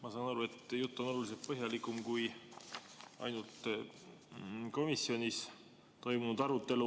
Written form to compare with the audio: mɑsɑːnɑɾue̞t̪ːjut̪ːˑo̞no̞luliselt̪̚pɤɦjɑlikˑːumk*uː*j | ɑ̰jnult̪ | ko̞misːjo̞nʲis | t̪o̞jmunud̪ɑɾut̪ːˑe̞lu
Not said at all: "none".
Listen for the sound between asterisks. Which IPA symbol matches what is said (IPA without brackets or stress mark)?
u